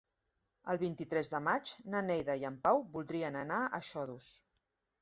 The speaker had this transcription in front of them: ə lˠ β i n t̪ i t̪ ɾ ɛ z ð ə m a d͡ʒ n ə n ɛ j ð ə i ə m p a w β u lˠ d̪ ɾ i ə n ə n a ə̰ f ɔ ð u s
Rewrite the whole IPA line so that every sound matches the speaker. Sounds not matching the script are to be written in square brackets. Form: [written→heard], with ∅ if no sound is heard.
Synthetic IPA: ə lˠ β i n t̪ i t̪ ɾ ɛ z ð ə m a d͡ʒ n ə n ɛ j ð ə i ə m p a w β u lˠ d̪ ɾ i ə n ə n a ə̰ [f→ʃ] ɔ ð u s